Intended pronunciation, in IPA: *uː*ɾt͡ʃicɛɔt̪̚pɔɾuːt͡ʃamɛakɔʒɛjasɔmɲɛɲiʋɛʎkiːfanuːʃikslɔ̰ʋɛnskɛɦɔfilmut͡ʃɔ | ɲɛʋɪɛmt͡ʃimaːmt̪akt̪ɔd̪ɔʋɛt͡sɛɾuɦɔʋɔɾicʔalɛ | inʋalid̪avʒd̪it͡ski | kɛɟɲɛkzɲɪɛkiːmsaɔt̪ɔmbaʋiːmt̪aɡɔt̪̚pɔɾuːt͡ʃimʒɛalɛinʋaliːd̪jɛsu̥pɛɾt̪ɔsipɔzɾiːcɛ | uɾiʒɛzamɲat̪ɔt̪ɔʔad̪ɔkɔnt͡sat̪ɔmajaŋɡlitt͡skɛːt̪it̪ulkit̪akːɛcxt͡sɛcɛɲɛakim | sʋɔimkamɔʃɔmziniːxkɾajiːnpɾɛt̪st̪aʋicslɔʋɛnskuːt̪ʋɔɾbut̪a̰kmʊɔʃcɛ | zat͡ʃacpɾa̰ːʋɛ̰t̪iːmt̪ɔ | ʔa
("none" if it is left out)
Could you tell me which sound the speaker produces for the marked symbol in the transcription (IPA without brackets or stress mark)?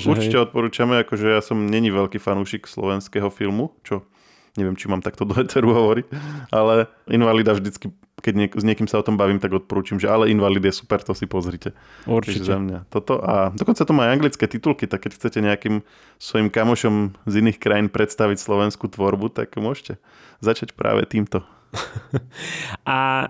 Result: u